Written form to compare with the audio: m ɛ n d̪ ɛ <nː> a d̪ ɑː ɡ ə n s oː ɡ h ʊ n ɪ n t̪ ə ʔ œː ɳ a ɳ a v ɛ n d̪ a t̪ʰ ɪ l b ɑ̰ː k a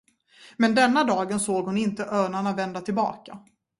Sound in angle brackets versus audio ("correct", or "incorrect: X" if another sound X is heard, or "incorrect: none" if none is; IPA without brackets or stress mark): correct